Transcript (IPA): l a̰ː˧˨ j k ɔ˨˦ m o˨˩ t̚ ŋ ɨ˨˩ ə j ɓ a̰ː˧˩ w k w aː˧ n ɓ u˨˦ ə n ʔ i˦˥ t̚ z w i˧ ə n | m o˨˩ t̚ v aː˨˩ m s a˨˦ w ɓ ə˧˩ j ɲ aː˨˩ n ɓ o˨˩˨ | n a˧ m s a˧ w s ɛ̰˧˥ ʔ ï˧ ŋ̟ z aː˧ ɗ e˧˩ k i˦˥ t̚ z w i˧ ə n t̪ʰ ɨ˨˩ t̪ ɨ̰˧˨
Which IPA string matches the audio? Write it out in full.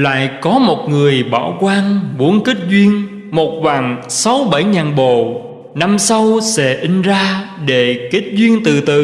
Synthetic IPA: l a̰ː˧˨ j k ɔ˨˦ m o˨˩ t̚ ŋ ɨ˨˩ ə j ɓ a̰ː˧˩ w k w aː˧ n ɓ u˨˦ ə n k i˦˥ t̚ z w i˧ ə n | m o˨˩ t̚ v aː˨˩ ŋ s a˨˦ w ɓ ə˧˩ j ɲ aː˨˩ n ɓ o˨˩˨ | n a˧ m s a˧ w s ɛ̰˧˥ ʔ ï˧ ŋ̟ z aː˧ ɗ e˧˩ k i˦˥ t̚ z w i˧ ə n t̪ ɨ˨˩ t̪ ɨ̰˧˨

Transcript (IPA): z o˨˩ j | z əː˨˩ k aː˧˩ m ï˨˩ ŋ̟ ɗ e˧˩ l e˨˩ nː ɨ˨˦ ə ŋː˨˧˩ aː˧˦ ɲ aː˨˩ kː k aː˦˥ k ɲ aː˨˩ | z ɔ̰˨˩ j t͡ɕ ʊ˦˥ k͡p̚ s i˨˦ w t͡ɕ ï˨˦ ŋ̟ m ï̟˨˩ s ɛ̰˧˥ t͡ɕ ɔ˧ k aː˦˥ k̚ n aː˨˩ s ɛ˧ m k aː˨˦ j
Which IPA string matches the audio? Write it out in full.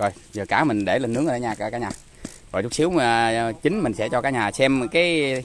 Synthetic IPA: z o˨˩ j | z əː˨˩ k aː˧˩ m ï˨˩ ŋ̟ ɗ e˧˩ l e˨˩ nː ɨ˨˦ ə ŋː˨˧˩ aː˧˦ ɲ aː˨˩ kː k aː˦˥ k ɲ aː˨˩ | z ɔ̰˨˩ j t͡ɕ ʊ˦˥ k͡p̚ s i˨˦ w t͡ɕ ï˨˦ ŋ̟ m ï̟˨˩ s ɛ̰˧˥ t͡ɕ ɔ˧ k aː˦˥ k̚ ɲ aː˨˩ s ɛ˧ m k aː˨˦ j

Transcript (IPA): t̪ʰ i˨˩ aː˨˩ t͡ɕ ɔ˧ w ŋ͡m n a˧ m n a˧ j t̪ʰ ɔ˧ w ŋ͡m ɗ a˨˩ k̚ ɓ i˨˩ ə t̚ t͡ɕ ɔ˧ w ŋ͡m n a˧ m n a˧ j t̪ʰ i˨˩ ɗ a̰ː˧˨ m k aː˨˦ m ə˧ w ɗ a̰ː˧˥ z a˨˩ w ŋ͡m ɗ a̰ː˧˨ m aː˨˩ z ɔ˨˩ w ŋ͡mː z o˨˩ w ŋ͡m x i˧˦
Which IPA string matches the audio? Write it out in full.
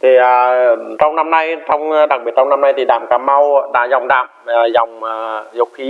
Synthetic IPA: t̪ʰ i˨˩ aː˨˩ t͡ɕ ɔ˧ w ŋ͡m n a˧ m n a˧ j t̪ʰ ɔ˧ w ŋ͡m ɗ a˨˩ k̚ ɓ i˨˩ ə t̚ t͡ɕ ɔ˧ w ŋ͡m n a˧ m n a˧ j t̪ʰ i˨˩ ɗ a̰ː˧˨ m k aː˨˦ m a˧ w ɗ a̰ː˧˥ z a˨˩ w ŋ͡m ɗ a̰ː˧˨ m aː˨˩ z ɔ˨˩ w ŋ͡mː z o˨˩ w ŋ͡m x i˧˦

